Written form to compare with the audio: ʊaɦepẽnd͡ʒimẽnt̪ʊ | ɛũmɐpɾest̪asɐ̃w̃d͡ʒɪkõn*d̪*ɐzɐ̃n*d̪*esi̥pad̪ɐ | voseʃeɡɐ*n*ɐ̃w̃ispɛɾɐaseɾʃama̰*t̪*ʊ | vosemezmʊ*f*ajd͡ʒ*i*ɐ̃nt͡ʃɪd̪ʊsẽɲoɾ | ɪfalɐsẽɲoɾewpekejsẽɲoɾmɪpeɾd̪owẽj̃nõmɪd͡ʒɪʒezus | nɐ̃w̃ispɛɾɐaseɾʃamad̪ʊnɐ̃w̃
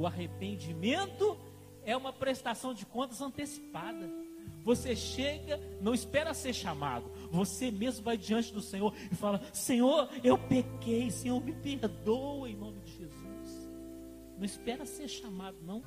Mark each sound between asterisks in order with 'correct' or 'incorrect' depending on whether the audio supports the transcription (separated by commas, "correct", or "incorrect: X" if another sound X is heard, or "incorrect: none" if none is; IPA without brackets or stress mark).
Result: incorrect: t̪, incorrect: t̪, correct, incorrect: d̪, incorrect: v, correct